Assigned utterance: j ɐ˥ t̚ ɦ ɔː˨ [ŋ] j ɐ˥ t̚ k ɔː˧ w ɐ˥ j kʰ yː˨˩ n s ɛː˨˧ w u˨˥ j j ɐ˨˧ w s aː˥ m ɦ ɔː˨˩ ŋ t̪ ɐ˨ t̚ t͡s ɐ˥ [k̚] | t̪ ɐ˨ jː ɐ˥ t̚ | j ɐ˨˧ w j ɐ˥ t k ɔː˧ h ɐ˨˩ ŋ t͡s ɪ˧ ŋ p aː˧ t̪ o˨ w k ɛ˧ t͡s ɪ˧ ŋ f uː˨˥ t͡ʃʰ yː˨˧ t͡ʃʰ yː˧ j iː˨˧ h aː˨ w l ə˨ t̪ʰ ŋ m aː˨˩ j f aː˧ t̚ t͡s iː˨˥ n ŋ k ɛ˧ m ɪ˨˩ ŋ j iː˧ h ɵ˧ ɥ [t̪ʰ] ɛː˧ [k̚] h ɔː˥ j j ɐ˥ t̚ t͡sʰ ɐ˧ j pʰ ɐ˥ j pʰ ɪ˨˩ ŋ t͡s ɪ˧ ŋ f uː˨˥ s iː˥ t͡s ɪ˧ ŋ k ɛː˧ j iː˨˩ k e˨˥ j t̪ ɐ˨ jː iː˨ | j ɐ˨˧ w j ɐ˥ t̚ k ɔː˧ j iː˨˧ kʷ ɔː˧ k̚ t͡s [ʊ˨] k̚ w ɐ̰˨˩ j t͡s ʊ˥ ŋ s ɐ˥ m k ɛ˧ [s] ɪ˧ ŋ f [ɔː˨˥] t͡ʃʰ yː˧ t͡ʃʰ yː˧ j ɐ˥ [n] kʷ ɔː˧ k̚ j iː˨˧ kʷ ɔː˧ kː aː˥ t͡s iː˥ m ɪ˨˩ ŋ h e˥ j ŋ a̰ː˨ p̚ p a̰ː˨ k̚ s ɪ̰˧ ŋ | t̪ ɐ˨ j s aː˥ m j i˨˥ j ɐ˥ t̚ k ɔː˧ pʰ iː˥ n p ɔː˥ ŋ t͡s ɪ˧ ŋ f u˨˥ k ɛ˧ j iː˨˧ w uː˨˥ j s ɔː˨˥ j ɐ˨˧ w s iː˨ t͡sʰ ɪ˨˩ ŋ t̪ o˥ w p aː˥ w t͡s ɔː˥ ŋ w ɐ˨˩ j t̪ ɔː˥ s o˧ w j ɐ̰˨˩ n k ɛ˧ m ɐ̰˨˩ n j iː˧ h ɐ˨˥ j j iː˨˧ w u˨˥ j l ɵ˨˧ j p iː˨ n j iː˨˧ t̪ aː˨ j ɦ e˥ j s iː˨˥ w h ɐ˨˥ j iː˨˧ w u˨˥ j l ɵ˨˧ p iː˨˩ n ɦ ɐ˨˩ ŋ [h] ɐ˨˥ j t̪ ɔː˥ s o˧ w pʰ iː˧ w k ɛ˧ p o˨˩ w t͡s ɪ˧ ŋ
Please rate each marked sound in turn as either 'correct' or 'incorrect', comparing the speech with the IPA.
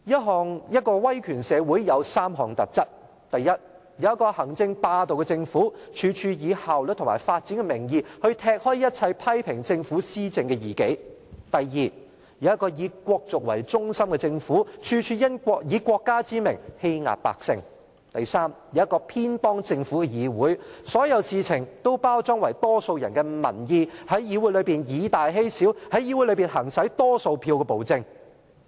correct, incorrect: t̚, correct, correct, correct, incorrect: t͡s, incorrect: uː˨˥, correct, incorrect: s

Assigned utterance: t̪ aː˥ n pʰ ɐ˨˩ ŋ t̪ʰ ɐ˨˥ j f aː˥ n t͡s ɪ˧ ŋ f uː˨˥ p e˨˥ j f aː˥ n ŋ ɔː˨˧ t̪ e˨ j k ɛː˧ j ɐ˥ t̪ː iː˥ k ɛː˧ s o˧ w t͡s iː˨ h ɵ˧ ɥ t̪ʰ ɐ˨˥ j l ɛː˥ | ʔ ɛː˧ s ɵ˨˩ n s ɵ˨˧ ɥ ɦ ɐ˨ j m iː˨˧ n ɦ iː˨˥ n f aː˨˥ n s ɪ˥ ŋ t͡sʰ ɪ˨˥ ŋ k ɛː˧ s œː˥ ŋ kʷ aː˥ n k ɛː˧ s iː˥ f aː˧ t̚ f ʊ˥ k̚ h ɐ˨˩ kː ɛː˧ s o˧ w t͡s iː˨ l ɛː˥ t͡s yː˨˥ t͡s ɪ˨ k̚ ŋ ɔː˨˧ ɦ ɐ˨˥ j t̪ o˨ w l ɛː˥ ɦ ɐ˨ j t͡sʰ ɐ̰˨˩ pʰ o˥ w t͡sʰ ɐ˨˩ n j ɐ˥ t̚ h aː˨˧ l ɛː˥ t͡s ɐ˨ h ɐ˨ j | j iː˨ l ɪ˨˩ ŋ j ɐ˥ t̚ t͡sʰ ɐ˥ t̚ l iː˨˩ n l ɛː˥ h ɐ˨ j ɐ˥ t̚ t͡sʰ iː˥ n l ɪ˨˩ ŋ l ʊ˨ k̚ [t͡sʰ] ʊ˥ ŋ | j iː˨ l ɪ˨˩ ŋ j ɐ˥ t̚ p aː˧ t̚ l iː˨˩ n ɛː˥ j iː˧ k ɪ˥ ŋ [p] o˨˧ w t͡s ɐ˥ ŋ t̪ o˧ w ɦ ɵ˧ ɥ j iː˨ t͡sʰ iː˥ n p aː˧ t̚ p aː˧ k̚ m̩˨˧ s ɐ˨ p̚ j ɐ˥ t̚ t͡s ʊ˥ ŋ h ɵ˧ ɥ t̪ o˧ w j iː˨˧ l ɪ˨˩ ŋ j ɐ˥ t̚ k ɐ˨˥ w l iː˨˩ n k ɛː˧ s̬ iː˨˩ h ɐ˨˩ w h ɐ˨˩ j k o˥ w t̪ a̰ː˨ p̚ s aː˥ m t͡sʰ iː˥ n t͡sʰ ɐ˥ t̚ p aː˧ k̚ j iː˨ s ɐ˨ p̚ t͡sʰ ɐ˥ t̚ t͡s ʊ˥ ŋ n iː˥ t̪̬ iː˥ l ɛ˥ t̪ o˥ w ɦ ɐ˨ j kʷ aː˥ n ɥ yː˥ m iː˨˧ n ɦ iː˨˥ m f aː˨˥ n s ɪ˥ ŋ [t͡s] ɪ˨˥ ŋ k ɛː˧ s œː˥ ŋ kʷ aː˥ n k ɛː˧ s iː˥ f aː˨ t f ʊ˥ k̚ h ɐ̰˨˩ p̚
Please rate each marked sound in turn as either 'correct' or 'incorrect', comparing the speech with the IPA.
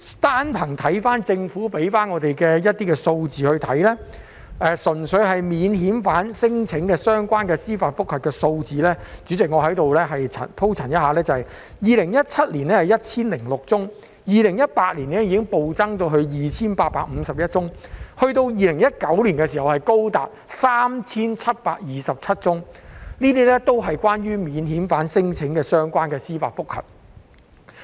incorrect: t͡s, correct, incorrect: t͡sʰ

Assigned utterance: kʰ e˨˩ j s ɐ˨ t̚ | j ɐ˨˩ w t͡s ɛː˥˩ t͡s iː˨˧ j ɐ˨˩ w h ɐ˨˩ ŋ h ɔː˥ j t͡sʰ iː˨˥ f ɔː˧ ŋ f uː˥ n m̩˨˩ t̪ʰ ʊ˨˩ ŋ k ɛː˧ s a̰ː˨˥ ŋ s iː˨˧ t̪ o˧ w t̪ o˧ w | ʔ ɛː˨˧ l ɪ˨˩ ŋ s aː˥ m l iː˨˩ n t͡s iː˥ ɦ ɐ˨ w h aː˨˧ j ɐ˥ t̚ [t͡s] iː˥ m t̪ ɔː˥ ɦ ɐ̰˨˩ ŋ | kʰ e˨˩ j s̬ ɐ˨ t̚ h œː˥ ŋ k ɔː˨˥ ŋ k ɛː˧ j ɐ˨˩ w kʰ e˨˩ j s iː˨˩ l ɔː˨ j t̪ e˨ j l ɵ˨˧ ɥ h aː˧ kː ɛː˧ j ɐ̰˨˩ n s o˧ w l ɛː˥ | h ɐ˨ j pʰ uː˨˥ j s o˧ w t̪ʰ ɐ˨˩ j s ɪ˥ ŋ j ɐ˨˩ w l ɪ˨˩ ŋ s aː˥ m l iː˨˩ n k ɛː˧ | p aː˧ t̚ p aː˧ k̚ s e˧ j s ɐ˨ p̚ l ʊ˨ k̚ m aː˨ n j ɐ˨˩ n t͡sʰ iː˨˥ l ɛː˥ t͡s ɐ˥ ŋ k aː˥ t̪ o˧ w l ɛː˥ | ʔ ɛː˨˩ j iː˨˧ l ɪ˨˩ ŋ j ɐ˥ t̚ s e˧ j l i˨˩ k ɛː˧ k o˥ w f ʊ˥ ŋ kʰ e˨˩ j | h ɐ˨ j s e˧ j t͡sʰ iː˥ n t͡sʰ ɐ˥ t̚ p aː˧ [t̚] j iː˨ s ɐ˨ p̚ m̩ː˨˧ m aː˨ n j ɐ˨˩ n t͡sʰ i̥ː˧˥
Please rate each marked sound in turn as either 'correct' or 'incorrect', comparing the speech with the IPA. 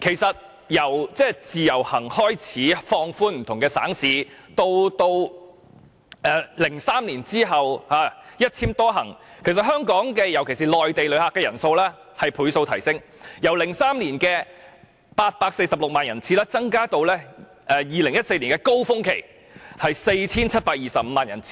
incorrect: t͡sʰ, incorrect: k̚

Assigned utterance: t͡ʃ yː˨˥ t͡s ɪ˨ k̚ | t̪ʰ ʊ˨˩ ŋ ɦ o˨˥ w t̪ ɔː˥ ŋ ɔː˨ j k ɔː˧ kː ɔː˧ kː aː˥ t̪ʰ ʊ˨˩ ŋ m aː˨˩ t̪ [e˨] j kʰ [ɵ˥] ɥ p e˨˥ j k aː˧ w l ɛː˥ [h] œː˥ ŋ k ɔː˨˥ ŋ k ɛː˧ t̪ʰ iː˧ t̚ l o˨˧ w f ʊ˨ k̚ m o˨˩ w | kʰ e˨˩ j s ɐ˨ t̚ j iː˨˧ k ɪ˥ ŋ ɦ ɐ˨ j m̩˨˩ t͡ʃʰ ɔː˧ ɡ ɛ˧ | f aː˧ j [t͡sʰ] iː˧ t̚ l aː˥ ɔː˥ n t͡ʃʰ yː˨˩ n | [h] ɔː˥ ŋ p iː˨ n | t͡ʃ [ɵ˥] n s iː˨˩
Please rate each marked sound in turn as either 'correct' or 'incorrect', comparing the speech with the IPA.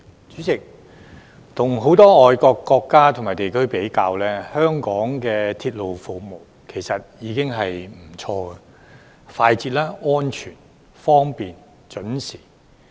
correct, correct, correct, incorrect: t͡s, incorrect: f, incorrect: ɵ˨˥

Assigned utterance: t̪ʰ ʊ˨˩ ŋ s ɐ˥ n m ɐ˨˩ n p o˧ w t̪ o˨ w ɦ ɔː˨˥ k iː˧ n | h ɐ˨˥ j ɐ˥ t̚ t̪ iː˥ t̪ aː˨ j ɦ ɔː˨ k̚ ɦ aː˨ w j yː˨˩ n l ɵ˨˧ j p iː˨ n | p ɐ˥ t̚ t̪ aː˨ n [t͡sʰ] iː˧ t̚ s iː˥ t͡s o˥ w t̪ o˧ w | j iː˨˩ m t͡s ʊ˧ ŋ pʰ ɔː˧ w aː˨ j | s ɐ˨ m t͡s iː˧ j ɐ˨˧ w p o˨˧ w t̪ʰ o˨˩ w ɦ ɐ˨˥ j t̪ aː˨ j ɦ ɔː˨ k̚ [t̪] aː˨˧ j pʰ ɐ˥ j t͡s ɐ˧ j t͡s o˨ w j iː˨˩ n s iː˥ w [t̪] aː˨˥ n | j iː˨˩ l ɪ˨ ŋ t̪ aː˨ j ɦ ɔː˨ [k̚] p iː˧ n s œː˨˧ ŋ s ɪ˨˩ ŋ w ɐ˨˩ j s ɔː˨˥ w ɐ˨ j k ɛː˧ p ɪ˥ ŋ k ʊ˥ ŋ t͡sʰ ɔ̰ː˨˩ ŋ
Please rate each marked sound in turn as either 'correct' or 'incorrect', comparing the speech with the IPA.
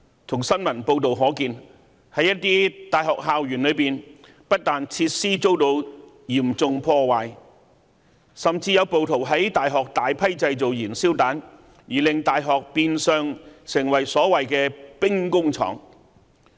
correct, correct, correct, correct

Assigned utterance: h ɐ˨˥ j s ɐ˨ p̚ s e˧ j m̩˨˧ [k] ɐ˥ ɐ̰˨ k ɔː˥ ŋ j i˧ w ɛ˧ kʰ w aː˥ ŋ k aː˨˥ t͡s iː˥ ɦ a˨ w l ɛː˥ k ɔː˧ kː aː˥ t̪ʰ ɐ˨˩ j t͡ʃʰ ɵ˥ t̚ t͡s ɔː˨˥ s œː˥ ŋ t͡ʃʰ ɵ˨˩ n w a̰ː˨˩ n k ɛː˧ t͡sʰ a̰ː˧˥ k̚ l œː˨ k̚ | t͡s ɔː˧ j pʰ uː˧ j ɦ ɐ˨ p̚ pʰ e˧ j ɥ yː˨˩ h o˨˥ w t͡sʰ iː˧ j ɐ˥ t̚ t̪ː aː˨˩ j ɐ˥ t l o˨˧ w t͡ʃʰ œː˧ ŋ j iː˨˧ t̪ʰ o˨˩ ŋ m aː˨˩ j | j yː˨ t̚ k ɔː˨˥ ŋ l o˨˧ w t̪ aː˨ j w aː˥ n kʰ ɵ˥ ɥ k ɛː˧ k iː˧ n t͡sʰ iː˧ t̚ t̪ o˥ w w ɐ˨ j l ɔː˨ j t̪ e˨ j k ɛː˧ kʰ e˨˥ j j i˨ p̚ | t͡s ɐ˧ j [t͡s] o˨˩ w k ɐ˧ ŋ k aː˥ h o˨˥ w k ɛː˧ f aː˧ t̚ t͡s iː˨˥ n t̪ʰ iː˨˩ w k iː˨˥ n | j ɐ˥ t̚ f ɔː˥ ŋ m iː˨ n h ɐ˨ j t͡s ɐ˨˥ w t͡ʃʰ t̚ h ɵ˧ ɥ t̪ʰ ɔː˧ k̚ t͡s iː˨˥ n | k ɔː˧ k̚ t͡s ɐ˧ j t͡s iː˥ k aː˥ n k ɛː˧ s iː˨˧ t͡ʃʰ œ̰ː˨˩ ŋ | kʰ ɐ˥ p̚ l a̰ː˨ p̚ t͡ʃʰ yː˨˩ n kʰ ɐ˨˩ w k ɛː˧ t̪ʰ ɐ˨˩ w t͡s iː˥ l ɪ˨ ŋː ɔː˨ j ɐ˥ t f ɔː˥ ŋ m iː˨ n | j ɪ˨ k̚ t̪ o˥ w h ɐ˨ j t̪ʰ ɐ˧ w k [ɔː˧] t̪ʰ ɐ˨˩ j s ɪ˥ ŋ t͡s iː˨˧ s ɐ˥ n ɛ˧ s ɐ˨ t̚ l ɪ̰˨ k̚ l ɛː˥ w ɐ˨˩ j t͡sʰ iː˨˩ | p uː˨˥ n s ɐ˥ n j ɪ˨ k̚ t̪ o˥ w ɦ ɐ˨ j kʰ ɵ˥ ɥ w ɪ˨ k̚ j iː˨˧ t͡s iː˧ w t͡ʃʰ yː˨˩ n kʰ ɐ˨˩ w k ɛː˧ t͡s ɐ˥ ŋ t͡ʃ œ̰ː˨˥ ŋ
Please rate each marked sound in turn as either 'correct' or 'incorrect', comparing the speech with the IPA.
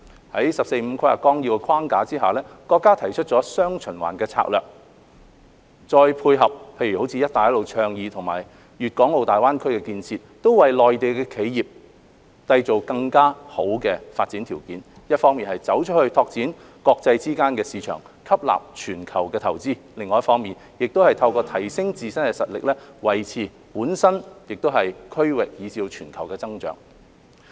incorrect: kʰ, correct, correct

